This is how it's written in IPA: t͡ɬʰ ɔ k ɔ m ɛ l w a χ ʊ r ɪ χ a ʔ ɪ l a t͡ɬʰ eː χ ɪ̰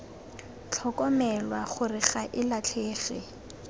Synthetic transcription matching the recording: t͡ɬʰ ɔ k ɔ m ɛ l w a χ ʊ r ɪ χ a ʔ ɪ l a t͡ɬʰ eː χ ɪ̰